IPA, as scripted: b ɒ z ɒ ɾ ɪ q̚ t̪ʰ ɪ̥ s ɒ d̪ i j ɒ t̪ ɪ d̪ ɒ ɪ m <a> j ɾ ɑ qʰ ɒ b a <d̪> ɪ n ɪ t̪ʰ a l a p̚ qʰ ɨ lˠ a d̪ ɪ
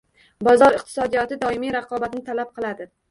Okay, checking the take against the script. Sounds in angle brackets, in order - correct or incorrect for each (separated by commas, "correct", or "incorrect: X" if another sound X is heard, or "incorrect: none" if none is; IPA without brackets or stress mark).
incorrect: i, incorrect: t̪